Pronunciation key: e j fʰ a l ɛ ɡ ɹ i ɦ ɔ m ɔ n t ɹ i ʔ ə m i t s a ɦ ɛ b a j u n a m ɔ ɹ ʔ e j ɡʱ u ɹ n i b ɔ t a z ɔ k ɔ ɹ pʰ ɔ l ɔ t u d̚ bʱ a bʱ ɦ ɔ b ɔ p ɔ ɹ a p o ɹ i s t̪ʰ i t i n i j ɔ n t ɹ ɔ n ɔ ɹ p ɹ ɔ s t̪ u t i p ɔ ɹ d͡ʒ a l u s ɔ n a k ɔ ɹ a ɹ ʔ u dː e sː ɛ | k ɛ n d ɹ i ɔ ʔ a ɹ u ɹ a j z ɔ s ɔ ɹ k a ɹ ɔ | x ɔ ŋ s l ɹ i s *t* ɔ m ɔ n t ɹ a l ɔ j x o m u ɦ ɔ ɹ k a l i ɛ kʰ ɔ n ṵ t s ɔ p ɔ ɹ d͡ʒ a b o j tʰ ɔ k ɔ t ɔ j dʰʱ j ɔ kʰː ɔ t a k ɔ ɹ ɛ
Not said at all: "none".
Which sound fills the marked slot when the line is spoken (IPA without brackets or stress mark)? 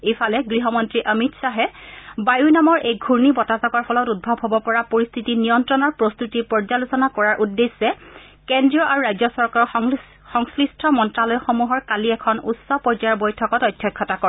tʰ